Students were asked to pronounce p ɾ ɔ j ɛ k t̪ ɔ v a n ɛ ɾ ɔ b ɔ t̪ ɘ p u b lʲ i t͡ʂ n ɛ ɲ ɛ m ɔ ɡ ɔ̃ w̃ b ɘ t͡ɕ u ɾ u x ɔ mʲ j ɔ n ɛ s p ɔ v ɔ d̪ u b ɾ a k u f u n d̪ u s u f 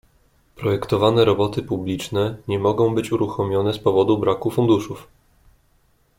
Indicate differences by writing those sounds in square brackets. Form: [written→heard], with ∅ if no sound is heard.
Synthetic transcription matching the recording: p ɾ ɔ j ɛ k t̪ ɔ v a n ɛ ɾ ɔ b ɔ t̪ ɘ p u b lʲ i t͡ʂ n ɛ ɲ ɛ m ɔ ɡ ɔ̃ w̃ b ɘ t͡ɕ u ɾ u x ɔ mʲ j ɔ n ɛ s p ɔ v ɔ d̪ u b ɾ a k u f u n d̪ u [s→ʂ] u f